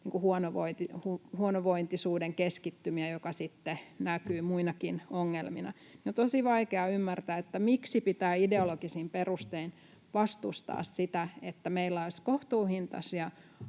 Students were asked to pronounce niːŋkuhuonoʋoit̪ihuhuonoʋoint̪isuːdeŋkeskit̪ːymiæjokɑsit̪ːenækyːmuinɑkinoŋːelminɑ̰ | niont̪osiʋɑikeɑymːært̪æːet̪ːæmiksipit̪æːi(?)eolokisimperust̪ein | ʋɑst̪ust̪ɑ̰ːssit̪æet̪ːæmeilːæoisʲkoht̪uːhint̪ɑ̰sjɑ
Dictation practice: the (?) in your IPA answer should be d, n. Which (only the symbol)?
d